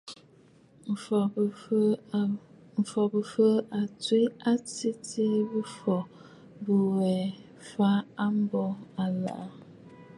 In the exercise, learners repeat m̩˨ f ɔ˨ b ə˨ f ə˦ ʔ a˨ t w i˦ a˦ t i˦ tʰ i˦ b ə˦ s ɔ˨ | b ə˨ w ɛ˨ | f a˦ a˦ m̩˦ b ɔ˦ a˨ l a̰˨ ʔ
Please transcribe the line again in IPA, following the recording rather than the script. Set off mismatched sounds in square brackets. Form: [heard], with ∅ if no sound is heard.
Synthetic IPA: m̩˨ f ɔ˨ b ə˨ f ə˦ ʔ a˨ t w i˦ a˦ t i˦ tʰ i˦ b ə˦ [f] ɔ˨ | b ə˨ w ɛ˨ | f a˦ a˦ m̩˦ b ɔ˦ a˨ l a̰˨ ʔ